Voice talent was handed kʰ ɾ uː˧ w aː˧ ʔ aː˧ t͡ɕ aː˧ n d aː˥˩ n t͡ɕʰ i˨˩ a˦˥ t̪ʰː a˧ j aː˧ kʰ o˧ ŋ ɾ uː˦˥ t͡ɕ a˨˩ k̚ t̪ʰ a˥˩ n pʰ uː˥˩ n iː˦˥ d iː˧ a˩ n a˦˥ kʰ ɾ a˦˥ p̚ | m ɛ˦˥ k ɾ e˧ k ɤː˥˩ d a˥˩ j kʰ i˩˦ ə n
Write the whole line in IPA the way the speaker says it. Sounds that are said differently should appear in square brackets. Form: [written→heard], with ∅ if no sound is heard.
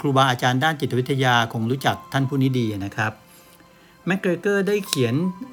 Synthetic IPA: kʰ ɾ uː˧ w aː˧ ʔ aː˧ t͡ɕ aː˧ n d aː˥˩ n [t͡ɕʰ→t͡ɕ] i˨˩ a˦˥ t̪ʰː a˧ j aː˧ kʰ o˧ ŋ ɾ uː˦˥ t͡ɕ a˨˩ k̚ t̪ʰ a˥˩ n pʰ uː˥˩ n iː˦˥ d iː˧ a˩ n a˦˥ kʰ ɾ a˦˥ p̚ | m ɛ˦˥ k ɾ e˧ k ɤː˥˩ d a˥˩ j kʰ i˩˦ ə n